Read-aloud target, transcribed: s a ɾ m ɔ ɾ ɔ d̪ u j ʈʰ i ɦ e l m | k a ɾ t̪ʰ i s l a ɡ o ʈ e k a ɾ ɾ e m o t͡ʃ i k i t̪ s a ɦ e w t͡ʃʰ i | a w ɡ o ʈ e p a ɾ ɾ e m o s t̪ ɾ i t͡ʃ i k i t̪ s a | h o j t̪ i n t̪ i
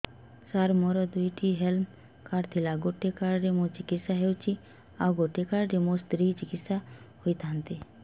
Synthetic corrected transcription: s a ɾ m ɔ ɾ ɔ d̪ u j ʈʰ i ɦ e l m | k a ɾ t̪ʰ i l a ɡ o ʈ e k a ɾ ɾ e m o t͡ʃ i k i t̪ s a ɦ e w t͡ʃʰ i | a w ɡ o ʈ e k a ɾ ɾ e m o s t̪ ɾ i t͡ʃ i k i t̪ s a | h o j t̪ a n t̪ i